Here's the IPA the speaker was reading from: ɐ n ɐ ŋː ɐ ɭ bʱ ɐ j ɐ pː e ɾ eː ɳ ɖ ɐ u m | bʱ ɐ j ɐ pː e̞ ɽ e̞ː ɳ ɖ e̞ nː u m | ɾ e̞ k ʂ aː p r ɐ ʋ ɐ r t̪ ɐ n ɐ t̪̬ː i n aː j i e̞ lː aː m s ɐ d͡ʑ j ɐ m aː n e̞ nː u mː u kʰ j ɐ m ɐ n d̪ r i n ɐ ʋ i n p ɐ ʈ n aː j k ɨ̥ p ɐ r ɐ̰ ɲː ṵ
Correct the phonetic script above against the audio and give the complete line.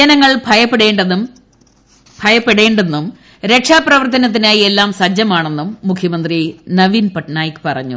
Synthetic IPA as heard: ɐ n ɐ ŋː ɐ ɭ bʱ ɐ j ɐ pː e ɽ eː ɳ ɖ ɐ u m | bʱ ɐ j ɐ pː e̞ ɽ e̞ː ɳ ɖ e̞ nː u m | ɾ e̞ k ʂ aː p r ɐ ʋ ɐ r t̪ ɐ n ɐ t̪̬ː i n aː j i e̞ lː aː m s ɐ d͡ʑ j ɐ m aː ɳ e̞ nː u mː u kʰ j ɐ m ɐ n d̪ r i n ɐ ʋ i n p ɐ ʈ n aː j k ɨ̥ p ɐ r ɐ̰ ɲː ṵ